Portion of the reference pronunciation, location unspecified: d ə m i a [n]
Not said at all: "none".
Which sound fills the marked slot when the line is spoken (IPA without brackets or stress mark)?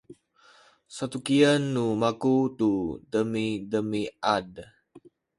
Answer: d